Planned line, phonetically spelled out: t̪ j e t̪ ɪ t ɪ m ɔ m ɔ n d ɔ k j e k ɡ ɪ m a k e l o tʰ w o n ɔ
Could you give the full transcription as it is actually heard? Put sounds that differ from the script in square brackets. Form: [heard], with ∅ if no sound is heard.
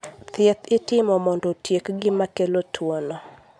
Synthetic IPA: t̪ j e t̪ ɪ t ɪ m ɔ m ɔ n d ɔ [t] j e k ɡ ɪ m a k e l o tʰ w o n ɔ